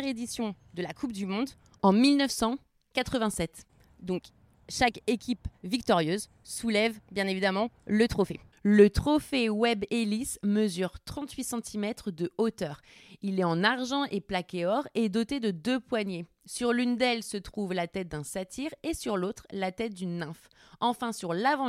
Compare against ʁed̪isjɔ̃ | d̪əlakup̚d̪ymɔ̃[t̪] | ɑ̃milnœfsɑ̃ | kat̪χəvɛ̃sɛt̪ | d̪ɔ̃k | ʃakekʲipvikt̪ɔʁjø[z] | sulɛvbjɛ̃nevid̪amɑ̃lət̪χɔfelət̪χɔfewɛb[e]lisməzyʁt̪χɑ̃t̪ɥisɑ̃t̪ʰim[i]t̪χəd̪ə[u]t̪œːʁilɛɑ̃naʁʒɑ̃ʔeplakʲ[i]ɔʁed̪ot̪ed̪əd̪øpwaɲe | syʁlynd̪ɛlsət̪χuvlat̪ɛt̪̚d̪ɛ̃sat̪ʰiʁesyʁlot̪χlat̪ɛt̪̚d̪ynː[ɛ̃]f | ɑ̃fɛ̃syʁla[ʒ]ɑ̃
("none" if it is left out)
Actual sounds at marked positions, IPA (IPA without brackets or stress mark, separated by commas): d̪, z, e, ɛ, o, e, ɛ̃, v